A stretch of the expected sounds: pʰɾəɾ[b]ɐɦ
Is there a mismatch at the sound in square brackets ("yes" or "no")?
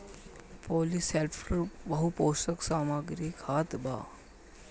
no